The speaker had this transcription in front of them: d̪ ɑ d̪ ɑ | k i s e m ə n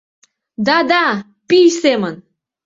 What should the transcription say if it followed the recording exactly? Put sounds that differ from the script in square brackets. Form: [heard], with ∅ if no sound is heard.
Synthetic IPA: d̪ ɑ d̪ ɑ | [p] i s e m ə n